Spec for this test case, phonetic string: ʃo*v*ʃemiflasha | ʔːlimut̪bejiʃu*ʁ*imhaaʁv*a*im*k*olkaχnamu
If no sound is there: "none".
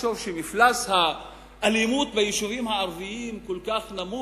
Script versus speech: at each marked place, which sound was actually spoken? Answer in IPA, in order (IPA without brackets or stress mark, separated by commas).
v, v, i, k